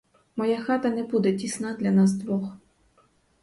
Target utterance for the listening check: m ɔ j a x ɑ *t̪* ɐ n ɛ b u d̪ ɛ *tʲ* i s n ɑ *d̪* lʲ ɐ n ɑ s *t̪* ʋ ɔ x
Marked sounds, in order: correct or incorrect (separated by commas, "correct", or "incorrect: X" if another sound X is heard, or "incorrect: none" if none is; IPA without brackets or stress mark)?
correct, correct, correct, incorrect: d̪